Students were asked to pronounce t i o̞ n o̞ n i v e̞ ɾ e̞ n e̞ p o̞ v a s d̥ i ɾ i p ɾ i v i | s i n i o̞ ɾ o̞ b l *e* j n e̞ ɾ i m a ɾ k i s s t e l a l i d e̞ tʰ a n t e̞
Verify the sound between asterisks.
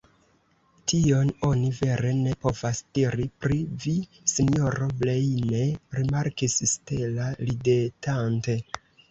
correct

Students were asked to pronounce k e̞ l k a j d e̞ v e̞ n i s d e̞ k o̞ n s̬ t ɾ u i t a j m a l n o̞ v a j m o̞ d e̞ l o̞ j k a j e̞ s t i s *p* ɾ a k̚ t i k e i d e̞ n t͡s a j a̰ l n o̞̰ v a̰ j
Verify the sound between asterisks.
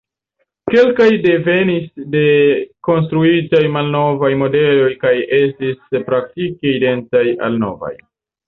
correct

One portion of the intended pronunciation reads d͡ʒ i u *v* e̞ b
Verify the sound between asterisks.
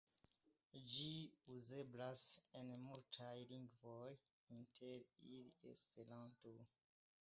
incorrect: z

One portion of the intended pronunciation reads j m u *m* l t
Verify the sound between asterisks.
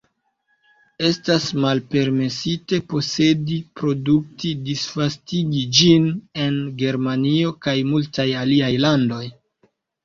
incorrect: none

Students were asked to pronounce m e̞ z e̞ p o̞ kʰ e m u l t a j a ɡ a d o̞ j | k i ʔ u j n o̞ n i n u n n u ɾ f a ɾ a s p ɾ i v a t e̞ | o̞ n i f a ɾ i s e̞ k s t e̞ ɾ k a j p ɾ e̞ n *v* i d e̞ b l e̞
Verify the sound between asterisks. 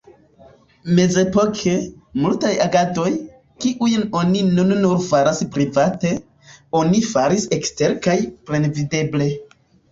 correct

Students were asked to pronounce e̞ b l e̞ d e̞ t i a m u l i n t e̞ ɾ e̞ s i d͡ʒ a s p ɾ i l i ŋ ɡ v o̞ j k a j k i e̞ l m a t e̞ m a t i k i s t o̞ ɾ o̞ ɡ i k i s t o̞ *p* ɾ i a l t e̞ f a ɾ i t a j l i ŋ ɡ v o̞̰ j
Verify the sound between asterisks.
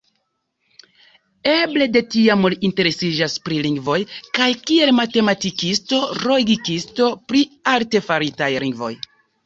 correct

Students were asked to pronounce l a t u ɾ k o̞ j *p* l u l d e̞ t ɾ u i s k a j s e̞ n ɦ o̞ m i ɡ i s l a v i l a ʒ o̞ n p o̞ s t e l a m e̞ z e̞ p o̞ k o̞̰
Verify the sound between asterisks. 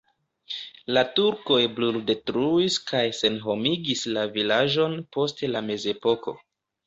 incorrect: b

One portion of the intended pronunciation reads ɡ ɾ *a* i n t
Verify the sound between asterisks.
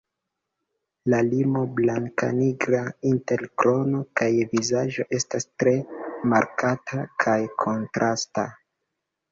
correct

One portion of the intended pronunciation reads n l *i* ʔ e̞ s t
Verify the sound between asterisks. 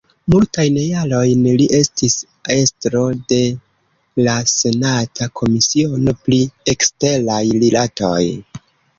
correct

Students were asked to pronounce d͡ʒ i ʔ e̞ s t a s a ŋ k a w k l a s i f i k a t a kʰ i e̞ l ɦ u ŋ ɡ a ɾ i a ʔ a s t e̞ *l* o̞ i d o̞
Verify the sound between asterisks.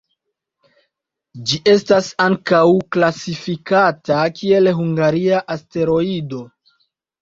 incorrect: ɾ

